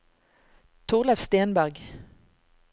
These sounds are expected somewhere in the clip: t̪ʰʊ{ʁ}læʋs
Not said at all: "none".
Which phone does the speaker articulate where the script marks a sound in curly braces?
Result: ʁ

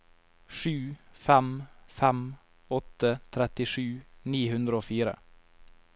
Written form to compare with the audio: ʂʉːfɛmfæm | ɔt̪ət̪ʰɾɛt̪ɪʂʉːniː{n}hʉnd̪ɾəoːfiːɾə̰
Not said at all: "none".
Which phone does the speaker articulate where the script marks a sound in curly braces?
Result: none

